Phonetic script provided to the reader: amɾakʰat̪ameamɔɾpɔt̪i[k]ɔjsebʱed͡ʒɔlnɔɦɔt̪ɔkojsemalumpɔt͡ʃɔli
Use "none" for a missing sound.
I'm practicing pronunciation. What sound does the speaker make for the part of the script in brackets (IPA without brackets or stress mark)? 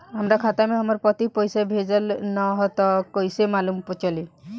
p